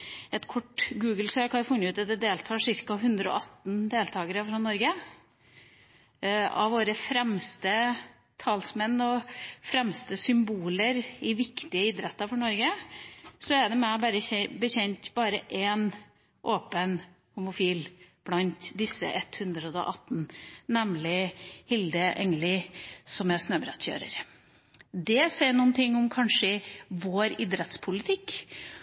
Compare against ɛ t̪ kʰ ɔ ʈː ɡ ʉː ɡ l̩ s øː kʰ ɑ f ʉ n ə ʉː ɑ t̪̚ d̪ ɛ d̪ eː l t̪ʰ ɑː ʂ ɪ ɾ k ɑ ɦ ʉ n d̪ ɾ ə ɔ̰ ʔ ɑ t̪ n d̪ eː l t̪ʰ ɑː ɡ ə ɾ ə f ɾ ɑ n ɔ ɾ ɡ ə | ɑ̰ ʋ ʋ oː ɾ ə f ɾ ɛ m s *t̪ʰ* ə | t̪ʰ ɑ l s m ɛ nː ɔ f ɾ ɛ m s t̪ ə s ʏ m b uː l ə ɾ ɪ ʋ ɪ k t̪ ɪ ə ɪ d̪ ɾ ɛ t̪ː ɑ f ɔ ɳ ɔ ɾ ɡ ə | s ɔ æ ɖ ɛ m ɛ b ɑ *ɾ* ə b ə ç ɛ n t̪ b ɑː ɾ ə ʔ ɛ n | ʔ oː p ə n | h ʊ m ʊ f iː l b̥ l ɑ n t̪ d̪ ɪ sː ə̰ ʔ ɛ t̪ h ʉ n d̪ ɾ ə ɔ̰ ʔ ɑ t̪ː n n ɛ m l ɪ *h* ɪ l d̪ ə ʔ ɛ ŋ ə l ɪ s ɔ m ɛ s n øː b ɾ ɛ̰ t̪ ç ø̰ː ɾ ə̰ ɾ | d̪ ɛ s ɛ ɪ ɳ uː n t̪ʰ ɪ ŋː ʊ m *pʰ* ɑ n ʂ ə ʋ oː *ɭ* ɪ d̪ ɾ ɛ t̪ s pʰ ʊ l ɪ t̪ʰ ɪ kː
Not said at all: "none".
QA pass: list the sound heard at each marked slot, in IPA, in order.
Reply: t̪, ɾ, h, kʰ, ɾ

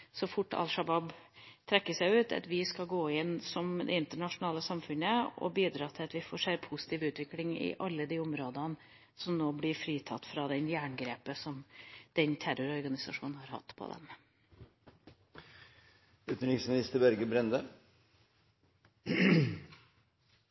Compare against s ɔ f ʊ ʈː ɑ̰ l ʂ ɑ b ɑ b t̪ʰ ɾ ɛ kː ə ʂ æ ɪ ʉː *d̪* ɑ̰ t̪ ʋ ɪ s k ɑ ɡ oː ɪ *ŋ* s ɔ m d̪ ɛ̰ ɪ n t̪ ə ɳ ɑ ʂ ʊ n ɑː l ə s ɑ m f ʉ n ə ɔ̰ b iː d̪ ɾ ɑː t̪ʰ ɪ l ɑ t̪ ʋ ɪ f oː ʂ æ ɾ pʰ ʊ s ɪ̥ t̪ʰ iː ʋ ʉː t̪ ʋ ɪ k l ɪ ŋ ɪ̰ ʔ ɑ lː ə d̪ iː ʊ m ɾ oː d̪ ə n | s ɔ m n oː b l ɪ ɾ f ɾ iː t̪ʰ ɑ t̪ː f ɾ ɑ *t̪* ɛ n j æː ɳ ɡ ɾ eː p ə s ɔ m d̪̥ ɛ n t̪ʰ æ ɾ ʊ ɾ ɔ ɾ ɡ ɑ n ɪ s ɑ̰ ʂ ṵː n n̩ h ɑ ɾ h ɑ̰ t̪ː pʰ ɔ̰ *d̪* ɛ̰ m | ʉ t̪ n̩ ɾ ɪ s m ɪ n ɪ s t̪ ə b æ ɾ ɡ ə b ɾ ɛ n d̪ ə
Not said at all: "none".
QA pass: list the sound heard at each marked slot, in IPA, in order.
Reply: t̪, n, d̪, d̪

